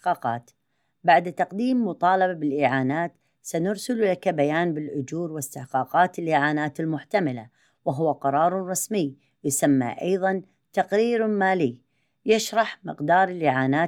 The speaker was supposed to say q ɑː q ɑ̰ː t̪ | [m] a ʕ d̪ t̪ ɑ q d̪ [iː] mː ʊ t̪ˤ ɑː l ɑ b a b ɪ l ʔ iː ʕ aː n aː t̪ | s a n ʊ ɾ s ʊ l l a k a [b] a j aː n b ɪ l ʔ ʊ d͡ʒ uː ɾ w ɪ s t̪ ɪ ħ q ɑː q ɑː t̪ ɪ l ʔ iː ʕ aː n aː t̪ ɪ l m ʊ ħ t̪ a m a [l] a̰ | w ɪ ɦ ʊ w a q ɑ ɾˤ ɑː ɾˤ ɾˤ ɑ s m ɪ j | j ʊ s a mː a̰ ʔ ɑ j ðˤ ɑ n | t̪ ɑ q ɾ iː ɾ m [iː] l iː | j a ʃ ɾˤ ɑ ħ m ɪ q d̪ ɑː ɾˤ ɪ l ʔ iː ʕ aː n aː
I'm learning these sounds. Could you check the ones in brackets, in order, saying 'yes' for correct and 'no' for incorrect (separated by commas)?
no, yes, yes, yes, no